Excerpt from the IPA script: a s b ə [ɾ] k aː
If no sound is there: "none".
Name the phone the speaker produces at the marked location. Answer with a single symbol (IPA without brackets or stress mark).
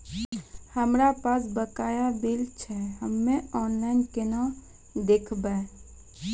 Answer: none